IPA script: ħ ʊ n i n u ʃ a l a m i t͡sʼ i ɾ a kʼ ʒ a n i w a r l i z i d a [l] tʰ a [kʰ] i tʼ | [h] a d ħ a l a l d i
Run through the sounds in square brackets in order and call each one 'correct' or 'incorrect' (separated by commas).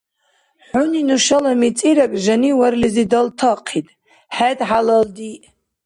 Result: correct, incorrect, incorrect